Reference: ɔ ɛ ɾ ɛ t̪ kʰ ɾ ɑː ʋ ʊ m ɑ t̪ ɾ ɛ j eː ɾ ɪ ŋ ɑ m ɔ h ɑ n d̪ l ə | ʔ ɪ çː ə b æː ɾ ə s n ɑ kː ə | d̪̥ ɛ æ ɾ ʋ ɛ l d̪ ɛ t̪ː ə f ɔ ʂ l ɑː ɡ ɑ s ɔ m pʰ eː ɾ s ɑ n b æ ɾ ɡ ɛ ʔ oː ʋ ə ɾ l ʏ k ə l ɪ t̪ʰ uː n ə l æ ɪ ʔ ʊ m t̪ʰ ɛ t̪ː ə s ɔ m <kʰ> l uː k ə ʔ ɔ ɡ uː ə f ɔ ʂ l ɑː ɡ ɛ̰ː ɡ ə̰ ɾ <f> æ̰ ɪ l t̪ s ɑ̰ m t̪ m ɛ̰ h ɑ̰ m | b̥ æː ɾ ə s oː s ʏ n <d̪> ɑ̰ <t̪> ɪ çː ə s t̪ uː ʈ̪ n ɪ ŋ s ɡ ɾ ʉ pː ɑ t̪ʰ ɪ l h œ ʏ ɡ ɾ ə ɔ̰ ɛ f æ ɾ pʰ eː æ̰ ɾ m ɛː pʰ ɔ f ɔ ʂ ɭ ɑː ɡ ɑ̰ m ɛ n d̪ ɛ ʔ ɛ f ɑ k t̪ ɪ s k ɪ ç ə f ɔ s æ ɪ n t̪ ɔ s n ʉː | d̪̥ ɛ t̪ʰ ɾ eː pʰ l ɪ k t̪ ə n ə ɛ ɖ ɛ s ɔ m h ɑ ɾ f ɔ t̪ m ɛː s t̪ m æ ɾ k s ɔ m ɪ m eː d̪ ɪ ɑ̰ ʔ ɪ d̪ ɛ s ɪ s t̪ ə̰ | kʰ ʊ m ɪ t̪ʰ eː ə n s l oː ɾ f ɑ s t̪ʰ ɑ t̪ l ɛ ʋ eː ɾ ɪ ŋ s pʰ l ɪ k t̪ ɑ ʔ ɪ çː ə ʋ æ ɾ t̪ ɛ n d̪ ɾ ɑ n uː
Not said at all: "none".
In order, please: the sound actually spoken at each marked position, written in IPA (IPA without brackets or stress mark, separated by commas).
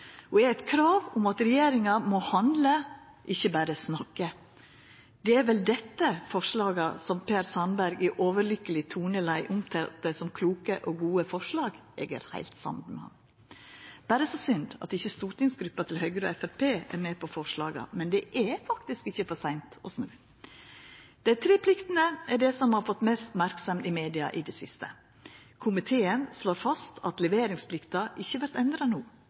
kʰ, h, d̪, t̪